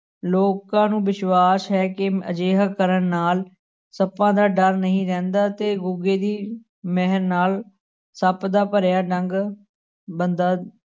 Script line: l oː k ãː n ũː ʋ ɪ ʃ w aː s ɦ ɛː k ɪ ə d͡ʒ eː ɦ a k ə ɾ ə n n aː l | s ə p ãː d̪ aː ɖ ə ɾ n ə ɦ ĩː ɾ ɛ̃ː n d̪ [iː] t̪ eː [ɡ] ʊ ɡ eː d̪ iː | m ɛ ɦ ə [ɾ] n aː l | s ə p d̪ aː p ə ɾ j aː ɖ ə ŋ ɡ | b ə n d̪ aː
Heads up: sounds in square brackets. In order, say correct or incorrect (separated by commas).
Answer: incorrect, correct, correct